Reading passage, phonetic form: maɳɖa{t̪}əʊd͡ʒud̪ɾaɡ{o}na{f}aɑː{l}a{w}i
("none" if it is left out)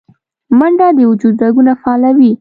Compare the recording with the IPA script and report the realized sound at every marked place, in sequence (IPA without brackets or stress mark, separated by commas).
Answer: d̪, u, f, l, w